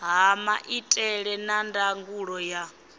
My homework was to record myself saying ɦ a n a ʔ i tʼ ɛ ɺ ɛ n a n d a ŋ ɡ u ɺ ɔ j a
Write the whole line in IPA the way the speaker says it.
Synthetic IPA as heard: ɦ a m a ʔ i tʼ ɛ ɺ ɛ n a n d a ŋ ɡ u ɺ ɔ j a